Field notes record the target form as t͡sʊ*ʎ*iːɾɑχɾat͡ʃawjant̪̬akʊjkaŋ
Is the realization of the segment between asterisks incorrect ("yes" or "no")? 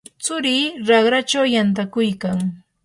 yes